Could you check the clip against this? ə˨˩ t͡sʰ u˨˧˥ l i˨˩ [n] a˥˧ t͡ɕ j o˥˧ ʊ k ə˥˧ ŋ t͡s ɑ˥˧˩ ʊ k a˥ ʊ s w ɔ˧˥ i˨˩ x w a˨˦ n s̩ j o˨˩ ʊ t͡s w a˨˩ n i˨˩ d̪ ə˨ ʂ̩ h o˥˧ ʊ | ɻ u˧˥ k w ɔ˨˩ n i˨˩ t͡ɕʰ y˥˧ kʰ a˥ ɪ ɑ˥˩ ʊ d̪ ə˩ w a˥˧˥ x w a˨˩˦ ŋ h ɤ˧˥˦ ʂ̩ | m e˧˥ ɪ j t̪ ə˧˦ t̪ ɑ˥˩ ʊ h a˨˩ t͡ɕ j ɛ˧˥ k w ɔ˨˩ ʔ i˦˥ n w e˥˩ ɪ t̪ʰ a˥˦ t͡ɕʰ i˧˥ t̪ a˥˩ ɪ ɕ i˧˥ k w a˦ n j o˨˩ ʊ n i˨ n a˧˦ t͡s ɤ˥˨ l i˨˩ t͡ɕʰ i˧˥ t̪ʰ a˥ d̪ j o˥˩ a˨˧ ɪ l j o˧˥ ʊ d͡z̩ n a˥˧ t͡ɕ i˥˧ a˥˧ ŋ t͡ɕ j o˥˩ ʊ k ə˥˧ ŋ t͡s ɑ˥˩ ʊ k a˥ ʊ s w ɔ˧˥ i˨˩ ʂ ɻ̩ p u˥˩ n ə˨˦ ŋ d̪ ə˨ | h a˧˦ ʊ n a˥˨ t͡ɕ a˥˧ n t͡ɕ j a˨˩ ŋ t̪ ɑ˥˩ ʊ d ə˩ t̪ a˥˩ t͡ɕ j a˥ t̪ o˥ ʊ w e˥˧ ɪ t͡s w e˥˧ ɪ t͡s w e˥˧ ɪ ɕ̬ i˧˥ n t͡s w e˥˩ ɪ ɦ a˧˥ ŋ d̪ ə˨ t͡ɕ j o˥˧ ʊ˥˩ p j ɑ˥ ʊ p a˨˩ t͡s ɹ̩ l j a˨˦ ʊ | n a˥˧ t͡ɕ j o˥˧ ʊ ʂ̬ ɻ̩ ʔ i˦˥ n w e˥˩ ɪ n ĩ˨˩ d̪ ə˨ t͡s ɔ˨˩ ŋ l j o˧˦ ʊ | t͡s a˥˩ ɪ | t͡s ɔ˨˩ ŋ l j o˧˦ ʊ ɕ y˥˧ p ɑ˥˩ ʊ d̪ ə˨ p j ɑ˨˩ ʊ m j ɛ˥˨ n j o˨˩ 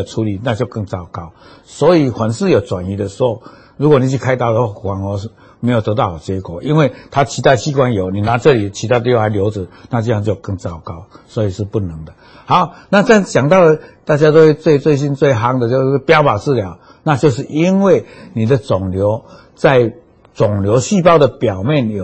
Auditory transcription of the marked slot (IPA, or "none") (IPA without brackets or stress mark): n